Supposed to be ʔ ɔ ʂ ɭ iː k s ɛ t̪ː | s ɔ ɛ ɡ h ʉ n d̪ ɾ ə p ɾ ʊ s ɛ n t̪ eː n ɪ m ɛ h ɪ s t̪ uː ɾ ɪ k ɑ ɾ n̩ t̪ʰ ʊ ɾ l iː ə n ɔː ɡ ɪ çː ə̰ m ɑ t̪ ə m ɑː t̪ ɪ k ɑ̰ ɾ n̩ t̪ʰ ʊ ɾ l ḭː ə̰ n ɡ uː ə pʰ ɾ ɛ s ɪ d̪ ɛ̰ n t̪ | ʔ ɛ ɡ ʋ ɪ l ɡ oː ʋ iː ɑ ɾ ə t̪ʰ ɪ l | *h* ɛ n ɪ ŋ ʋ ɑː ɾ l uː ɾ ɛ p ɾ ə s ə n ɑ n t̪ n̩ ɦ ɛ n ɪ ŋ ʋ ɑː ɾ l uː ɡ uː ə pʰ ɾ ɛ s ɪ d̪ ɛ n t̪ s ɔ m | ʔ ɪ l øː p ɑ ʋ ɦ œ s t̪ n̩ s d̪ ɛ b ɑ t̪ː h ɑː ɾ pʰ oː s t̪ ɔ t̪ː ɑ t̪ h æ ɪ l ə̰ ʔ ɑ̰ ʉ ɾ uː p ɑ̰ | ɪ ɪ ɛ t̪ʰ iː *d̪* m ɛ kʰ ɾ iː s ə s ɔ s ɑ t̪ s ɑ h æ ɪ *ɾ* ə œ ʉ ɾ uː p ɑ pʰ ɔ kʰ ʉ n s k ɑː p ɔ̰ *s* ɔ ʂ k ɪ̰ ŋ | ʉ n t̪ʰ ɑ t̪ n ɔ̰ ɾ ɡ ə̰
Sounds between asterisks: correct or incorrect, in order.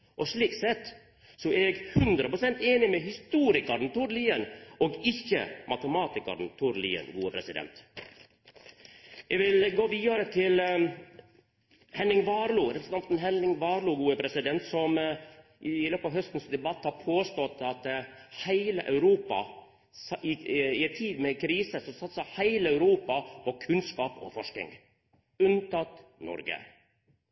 correct, correct, incorrect: l, incorrect: f

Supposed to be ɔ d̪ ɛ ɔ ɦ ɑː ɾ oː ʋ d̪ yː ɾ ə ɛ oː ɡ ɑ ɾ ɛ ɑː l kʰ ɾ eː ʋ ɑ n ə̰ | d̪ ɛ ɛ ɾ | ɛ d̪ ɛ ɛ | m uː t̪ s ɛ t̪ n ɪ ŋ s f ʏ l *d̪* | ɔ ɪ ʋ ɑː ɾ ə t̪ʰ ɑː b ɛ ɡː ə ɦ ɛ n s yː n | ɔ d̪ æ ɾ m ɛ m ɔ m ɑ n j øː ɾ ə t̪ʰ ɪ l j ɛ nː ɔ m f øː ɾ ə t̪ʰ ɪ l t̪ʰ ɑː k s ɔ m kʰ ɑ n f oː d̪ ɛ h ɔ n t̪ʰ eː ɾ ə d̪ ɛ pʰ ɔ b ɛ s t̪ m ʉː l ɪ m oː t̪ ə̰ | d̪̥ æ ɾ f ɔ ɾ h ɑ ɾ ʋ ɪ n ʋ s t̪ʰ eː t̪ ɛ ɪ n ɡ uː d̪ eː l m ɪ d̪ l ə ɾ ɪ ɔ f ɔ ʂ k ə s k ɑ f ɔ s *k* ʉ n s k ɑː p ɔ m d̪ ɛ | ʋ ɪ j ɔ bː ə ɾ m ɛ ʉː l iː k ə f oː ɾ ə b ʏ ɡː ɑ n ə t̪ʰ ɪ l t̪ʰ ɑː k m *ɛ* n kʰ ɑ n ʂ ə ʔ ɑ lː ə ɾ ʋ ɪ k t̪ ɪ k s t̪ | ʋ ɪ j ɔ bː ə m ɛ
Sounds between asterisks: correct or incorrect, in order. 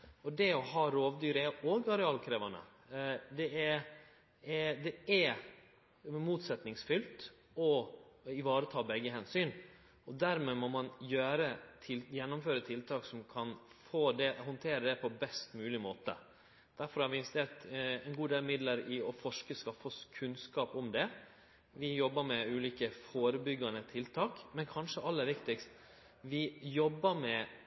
incorrect: t̪, incorrect: kʰ, correct

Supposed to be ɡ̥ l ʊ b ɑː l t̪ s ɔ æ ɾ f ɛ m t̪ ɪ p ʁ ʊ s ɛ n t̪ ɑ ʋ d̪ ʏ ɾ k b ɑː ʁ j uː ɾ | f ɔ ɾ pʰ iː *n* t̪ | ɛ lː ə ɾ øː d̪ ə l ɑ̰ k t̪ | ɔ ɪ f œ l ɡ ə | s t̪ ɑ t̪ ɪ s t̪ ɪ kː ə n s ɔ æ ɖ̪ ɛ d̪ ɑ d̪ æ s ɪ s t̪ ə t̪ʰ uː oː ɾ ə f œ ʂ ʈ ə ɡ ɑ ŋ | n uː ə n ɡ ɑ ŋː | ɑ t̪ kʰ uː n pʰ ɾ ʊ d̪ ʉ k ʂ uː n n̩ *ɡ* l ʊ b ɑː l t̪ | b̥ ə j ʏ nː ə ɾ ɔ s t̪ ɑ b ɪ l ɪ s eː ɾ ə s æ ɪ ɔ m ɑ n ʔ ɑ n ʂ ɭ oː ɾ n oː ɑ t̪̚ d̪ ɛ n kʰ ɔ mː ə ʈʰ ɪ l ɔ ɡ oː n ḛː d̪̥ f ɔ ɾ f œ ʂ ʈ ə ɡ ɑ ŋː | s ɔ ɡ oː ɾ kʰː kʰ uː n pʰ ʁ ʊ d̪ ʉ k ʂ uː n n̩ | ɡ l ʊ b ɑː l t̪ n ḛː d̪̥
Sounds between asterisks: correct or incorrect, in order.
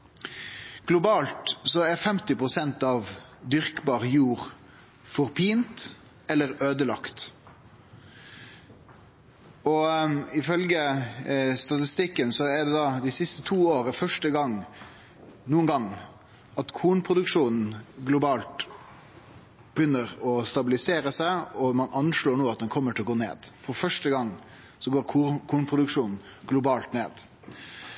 correct, correct

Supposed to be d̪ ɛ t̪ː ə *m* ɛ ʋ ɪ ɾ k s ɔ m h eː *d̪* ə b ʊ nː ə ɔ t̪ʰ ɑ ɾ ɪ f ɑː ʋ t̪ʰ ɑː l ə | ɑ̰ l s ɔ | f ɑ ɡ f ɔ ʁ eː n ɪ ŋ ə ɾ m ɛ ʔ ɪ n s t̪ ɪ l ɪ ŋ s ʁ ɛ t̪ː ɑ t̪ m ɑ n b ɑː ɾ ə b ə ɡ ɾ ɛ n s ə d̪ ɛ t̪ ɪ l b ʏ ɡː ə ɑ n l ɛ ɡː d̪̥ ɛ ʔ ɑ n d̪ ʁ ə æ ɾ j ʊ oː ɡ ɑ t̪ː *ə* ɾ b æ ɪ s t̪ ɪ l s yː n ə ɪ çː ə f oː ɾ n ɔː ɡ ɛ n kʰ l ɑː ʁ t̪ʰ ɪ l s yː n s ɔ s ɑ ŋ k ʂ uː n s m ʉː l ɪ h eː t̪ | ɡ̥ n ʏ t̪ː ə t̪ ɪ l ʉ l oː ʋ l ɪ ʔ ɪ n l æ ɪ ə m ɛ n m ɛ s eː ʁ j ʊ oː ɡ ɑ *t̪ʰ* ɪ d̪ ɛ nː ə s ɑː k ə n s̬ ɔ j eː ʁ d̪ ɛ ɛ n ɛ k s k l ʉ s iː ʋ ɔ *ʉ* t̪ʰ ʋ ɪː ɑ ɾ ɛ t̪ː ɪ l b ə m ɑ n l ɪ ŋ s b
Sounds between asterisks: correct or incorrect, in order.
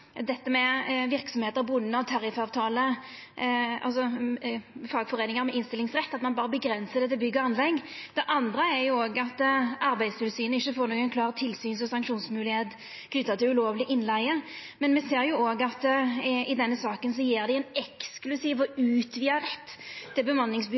correct, incorrect: t̪, incorrect: ɑ, incorrect: t̪, incorrect: ʉː

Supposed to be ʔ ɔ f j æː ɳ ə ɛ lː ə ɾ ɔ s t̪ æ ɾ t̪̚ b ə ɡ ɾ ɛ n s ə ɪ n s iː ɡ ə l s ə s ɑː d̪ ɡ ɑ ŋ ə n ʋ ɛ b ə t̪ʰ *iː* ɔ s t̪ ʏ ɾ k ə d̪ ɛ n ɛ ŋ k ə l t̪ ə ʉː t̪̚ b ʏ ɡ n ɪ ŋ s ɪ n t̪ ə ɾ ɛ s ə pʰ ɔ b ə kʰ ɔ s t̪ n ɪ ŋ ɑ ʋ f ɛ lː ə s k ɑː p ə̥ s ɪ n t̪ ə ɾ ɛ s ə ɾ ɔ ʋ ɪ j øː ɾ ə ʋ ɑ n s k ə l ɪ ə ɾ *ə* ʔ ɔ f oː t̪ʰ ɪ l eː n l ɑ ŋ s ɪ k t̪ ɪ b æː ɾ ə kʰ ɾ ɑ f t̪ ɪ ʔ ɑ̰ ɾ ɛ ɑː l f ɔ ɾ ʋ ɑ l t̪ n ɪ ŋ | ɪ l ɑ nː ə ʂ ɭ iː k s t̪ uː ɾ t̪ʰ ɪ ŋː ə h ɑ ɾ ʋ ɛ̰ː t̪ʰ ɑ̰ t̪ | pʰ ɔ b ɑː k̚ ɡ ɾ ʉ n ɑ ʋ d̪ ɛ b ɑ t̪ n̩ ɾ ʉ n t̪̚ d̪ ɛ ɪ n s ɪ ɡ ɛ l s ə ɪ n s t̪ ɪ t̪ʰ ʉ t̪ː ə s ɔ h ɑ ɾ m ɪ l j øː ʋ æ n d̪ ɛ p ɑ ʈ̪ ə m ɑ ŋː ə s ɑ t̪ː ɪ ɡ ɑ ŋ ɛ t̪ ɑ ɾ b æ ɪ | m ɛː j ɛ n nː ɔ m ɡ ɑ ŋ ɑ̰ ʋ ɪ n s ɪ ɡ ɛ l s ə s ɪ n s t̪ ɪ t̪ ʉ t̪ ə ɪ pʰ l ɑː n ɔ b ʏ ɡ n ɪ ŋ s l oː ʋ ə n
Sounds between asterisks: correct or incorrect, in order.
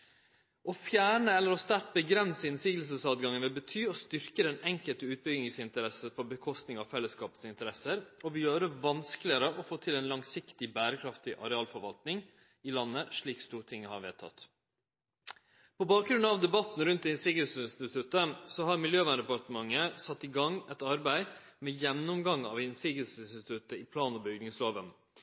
incorrect: yː, correct

